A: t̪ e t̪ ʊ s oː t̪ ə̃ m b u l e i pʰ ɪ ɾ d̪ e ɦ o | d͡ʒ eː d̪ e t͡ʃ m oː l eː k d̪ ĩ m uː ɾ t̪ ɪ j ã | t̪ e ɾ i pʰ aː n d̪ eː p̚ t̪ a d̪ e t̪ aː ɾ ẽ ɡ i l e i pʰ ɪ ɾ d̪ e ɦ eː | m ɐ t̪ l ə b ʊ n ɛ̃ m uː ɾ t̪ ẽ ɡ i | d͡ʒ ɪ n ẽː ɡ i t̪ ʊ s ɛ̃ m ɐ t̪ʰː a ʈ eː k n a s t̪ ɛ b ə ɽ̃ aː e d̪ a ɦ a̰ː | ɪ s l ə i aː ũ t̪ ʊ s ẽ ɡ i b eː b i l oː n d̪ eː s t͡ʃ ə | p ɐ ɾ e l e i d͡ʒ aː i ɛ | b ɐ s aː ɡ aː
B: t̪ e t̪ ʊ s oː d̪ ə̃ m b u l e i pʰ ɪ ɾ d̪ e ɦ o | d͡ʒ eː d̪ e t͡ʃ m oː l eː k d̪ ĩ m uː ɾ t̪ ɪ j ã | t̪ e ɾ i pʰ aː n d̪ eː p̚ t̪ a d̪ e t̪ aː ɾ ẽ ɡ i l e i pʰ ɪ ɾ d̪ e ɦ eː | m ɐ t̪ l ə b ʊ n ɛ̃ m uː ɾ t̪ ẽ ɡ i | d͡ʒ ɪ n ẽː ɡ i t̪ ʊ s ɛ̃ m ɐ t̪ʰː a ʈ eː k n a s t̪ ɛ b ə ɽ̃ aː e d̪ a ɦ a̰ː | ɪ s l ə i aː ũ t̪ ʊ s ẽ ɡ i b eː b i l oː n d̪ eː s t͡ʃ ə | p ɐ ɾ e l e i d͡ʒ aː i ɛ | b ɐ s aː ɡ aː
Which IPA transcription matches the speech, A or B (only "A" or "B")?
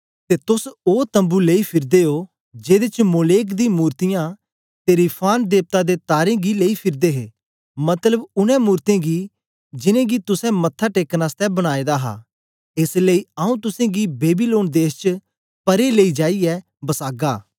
A